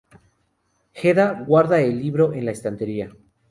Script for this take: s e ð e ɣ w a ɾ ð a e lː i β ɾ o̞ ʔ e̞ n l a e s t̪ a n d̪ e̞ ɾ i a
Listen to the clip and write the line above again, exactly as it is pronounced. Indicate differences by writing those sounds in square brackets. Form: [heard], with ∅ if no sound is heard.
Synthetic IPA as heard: [x] e ð [a] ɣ w a ɾ ð a e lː i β ɾ o̞ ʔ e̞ n l a e s t̪ a n [t̪] e̞ ɾ i a